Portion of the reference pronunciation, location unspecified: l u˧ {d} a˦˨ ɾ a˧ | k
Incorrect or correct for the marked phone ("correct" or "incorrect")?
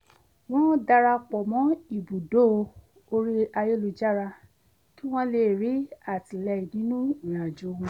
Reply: incorrect